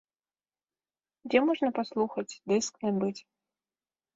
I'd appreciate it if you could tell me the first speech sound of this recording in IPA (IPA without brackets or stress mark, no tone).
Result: d͡zʲ